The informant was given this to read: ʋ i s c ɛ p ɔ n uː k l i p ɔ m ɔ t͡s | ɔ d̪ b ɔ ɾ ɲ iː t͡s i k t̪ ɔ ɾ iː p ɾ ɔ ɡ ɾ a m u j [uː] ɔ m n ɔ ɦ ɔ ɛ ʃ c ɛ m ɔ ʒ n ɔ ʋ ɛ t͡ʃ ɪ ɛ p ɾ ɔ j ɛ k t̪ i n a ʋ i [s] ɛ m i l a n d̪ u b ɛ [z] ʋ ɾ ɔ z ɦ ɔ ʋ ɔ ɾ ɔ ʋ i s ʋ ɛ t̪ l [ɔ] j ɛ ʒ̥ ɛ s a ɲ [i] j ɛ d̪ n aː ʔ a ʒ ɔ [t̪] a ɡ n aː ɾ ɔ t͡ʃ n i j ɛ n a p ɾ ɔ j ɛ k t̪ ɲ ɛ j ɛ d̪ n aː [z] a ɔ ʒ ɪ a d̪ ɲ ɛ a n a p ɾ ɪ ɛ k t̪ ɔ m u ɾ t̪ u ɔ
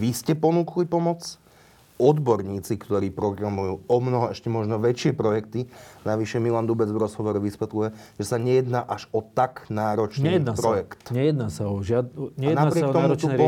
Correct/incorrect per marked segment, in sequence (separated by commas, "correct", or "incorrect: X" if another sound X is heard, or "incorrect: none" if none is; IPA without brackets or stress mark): correct, incorrect: ʃ, incorrect: d͡z, incorrect: u, incorrect: ɛ, correct, incorrect: s